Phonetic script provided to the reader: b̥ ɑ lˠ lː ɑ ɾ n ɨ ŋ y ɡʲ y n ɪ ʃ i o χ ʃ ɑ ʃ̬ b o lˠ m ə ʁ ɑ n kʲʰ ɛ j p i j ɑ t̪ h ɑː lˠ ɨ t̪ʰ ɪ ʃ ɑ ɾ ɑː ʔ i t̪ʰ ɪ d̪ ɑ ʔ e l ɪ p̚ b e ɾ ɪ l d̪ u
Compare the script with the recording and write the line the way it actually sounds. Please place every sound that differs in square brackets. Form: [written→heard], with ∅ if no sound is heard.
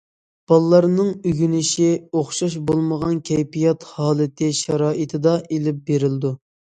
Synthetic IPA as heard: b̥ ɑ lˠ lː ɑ ɾ n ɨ ŋ y ɡʲ y n ɪ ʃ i o χ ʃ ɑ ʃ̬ b o lˠ m ə ʁ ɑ n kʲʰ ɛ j p i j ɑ t̪ h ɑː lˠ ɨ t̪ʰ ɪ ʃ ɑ ɾ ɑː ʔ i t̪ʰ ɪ d̪ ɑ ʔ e l ɪ p̚ b e ɾ ɪ l d̪ u